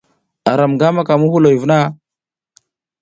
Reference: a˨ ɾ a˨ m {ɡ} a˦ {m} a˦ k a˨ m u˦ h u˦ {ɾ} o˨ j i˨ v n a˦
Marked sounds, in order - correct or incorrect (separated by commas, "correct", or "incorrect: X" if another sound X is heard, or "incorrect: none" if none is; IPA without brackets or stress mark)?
correct, correct, incorrect: l